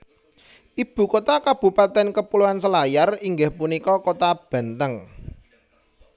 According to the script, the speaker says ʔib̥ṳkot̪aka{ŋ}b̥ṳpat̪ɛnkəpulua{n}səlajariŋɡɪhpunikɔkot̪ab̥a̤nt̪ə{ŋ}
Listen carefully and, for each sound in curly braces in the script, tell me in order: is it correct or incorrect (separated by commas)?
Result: incorrect, correct, correct